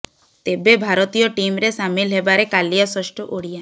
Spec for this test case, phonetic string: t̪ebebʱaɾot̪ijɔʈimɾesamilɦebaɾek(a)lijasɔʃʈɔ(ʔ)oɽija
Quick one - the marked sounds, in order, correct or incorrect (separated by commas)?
correct, correct